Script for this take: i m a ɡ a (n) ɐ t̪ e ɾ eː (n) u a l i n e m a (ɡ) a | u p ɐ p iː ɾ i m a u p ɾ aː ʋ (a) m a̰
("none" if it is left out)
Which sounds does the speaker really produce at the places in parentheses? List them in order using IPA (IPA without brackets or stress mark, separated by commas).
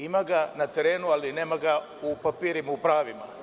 n, n, ɡ, i